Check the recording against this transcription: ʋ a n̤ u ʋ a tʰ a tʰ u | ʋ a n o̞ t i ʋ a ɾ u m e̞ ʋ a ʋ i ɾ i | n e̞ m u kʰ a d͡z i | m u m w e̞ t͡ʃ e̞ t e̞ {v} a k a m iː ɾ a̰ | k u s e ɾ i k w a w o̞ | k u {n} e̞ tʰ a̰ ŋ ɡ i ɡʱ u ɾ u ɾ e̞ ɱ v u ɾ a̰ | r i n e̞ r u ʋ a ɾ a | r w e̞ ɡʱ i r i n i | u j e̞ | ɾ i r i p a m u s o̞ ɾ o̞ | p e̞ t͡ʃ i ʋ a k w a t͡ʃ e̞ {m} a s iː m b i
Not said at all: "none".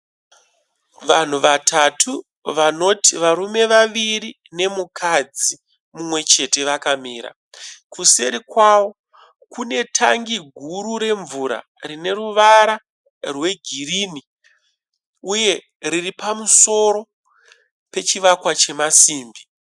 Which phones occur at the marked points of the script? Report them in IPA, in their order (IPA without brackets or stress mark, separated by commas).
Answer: ʋ, n, m